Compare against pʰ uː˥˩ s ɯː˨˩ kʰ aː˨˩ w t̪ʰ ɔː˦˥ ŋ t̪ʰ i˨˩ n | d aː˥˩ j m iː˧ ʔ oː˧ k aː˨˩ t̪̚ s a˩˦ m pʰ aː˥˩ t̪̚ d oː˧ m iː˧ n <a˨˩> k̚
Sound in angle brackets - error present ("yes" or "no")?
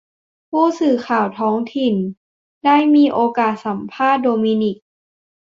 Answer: yes